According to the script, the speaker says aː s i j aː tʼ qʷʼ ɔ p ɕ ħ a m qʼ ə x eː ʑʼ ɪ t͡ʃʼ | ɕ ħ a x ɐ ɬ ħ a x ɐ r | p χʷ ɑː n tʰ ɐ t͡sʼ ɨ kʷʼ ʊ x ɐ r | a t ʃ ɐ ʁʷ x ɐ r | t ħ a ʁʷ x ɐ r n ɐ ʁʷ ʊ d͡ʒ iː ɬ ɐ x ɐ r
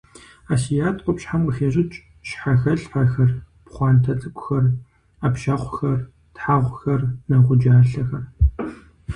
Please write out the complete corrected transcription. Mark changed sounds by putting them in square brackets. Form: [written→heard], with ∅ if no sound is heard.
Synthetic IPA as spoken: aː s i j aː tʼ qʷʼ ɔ p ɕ ħ a m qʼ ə x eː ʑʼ ɪ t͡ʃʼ | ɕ ħ a x ɐ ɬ ħ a x ɐ r | p χʷ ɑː n tʰ ɐ t͡sʼ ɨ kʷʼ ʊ x ɐ r | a [t→p] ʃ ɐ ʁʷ x ɐ r | t ħ a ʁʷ x ɐ r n ɐ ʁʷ ʊ d͡ʒ [iː→aː] ɬ ɐ x ɐ r